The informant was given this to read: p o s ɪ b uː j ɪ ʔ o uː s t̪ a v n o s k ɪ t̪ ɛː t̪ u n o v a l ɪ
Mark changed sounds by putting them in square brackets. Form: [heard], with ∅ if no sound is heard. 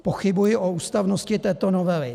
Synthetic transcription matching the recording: p o [x] ɪ b [u] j ɪ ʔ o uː s t̪ a v n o s [c] ɪ t̪ ɛː t̪ [o] n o v [ɛ] l ɪ

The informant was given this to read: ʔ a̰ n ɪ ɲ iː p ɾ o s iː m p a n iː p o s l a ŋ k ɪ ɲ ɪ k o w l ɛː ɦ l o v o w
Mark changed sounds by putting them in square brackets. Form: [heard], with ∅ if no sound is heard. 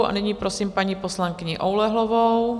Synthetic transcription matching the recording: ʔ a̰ n ɪ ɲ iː p ɾ o s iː m p a [ɲ] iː p o s l a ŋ k ɪ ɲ ɪ [ʔ] o w l [ɛ] ɦ l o v o w

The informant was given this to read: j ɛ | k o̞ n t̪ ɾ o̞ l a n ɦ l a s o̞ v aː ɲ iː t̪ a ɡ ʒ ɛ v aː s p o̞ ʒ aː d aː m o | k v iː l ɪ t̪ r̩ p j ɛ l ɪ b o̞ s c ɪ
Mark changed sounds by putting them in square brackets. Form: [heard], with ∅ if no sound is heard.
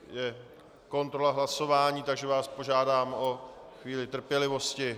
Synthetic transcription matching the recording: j ɛ | k o̞ n t̪ ɾ o̞ l a [∅] ɦ l a s o̞ v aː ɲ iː t̪ a ɡ ʒ ɛ v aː s p o̞ ʒ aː d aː m o | [x] v iː l ɪ t̪ r̩ p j ɛ l ɪ [v] o̞ s c ɪ

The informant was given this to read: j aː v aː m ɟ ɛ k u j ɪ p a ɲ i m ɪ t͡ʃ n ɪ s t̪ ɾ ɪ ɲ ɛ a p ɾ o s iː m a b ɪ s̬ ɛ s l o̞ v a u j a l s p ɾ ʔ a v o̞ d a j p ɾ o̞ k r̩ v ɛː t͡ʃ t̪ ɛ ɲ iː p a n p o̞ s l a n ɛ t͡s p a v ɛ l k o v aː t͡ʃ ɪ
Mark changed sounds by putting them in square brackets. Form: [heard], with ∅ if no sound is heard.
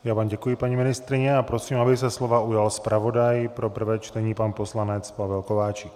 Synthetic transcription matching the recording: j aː v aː m ɟ ɛ k u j ɪ p a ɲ i m ɪ [∅] n ɪ s t̪ ɾ ɪ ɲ ɛ a p ɾ o s iː m a b ɪ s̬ ɛ s l o̞ v a u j a l s p ɾ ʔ a v o̞ d a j p ɾ o̞ [p] r̩ v ɛː t͡ʃ t̪ ɛ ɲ iː p a n p o̞ s l a n ɛ t͡s p a v ɛ l k o v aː t͡ʃ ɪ

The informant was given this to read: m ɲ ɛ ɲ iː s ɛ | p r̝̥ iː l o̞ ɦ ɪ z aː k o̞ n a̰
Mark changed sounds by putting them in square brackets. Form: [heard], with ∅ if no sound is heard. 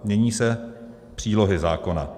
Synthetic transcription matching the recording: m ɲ ɛ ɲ iː s ɛ | p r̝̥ iː l o̞ ɦ ɪ z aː k o̞ n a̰

